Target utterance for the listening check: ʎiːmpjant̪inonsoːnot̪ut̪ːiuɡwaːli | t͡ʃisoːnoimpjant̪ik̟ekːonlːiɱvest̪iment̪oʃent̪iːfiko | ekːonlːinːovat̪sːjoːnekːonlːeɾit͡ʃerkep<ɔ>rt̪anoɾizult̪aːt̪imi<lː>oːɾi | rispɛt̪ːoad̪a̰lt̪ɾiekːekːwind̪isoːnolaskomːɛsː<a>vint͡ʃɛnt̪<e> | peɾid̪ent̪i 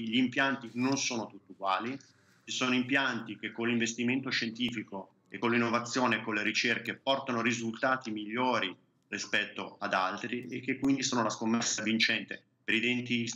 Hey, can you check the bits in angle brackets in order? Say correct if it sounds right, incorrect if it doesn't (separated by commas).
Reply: correct, incorrect, correct, correct